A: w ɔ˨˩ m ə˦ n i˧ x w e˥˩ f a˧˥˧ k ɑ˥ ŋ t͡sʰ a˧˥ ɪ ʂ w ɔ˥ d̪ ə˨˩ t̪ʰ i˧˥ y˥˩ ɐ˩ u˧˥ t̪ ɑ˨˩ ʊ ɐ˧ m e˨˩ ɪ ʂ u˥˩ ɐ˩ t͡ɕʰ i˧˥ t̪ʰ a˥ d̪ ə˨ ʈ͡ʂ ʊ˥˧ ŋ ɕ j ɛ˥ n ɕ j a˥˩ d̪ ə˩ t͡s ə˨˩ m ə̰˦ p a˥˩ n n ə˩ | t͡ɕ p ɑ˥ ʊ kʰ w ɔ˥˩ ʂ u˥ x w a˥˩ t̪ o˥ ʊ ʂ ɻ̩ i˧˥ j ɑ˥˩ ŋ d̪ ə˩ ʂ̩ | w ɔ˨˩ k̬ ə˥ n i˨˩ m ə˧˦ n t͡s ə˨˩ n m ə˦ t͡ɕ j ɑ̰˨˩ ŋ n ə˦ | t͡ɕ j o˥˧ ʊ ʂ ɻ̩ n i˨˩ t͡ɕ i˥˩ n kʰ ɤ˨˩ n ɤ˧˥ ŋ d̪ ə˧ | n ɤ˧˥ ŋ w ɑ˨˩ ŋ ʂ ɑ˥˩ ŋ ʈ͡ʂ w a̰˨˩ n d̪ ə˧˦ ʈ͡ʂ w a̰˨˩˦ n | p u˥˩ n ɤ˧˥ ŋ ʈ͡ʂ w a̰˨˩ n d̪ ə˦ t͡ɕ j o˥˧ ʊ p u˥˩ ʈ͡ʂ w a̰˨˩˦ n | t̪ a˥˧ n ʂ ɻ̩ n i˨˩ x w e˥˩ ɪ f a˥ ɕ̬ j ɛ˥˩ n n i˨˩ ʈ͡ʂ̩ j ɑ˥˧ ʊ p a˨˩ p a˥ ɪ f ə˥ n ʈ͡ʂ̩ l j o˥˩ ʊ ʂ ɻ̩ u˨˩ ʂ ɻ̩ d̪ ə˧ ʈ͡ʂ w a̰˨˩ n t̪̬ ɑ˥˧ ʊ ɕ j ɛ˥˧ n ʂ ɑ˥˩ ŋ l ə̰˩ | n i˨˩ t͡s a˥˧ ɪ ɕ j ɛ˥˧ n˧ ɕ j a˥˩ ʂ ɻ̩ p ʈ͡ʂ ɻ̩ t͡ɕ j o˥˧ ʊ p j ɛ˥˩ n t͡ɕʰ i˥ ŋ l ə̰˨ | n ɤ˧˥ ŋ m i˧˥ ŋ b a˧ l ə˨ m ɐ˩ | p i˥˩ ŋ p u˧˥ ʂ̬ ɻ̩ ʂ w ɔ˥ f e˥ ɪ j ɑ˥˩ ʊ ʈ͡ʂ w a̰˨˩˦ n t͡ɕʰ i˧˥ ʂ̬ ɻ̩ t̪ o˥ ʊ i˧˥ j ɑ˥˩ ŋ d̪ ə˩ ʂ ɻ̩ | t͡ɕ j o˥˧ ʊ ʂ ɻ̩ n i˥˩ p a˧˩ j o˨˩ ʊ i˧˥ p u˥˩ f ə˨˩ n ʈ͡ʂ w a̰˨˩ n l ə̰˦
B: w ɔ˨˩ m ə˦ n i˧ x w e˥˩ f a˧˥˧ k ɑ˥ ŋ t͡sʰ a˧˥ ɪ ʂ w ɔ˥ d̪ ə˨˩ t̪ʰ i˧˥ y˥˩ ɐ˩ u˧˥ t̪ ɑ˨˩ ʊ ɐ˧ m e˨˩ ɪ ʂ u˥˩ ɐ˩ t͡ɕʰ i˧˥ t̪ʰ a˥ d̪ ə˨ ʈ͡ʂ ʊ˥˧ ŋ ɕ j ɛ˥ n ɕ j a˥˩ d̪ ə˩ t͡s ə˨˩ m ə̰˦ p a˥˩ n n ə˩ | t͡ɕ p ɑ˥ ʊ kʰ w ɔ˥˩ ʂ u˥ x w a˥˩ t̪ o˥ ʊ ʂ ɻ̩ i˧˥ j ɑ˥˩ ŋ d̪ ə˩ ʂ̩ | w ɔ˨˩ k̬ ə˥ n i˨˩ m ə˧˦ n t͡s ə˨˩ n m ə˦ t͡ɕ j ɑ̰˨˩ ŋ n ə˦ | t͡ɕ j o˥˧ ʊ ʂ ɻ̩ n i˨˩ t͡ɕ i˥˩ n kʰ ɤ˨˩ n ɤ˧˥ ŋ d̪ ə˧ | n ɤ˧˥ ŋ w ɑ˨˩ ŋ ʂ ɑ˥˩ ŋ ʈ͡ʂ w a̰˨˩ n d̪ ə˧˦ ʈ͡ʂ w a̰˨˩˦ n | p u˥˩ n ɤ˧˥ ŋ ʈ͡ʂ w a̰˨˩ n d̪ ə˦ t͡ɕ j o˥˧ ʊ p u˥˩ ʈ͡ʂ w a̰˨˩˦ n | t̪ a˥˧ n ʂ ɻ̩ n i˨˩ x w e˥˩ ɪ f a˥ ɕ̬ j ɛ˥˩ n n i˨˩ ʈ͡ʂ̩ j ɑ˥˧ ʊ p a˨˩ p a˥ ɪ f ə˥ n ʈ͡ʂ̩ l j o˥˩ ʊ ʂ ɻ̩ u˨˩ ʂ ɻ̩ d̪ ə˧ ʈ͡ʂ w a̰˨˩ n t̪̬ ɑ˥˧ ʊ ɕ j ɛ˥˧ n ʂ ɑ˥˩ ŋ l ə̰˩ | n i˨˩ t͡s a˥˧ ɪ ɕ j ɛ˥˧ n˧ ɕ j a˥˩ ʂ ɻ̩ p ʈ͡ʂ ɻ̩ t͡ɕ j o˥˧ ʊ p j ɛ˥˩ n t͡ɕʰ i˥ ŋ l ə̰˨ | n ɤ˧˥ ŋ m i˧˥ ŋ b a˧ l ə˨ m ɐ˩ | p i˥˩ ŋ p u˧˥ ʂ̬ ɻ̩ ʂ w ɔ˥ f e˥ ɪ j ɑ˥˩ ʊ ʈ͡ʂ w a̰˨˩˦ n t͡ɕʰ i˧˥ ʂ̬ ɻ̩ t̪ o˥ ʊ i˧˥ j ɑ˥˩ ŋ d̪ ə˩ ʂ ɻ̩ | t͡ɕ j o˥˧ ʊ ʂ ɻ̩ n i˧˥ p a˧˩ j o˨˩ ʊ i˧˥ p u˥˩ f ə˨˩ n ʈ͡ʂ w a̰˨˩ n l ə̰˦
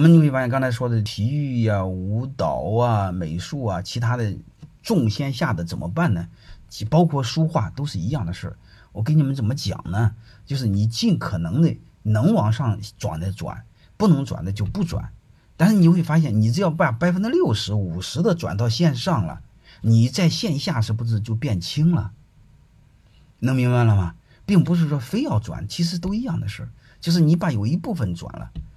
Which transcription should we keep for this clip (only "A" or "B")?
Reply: B